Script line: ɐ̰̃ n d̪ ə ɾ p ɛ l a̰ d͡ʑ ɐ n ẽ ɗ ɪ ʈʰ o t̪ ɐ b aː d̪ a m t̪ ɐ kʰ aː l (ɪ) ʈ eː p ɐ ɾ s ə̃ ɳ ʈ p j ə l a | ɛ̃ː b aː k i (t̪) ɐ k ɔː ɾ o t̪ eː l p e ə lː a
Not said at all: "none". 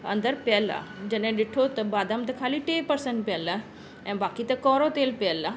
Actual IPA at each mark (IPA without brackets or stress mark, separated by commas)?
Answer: i, t̪